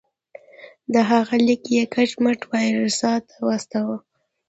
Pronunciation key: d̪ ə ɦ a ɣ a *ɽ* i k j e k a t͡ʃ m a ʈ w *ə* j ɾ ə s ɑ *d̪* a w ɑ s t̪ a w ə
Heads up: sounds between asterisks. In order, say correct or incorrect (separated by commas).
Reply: incorrect, incorrect, incorrect